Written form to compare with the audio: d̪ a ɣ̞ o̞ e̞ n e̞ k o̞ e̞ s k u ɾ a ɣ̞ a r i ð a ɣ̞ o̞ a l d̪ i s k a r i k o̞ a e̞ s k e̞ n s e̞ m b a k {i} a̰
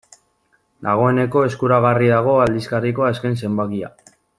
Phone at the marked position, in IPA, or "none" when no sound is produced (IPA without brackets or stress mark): i